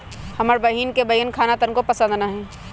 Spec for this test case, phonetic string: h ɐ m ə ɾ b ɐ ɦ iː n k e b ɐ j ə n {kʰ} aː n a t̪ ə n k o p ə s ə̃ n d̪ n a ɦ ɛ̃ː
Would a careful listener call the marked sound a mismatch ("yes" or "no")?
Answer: no